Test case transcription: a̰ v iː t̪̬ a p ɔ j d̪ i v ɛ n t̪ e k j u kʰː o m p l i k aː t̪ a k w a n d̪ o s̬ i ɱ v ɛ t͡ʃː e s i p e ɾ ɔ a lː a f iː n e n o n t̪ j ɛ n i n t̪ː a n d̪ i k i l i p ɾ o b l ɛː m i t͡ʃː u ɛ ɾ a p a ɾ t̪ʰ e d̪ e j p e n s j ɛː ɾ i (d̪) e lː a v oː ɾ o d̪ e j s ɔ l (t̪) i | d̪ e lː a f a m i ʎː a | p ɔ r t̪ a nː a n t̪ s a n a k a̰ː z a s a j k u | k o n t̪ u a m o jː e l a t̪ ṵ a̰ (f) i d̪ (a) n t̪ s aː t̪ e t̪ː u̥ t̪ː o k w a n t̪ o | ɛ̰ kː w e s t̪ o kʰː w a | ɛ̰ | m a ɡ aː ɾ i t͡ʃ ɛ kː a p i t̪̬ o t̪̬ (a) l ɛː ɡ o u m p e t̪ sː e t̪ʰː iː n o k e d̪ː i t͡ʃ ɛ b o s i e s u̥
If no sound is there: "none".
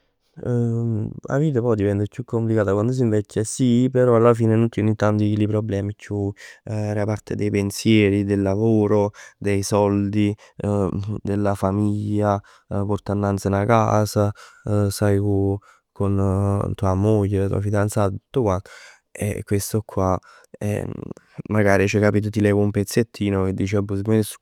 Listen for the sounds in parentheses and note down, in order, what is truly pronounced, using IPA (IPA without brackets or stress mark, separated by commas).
d̪, d̪, f, a, i